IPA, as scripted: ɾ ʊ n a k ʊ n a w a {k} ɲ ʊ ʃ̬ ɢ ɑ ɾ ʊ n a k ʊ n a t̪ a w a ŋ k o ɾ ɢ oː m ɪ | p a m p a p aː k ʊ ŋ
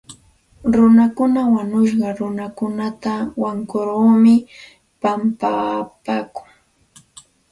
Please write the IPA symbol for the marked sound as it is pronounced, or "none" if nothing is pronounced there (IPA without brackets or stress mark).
none